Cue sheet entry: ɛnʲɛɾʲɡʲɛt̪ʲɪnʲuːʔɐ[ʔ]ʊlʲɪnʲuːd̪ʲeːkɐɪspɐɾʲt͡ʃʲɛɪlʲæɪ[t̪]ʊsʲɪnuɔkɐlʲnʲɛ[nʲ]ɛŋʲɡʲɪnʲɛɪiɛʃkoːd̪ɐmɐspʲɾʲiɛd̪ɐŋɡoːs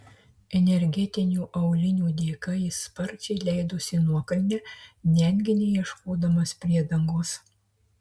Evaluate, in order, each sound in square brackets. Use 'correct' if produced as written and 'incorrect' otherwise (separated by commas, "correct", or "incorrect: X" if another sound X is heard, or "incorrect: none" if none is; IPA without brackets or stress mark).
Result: incorrect: none, incorrect: d̪, correct